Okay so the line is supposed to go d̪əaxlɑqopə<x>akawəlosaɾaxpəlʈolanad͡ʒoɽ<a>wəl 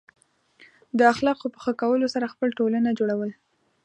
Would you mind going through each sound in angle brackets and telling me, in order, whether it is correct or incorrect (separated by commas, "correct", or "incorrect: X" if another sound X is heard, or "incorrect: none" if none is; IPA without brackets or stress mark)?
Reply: correct, correct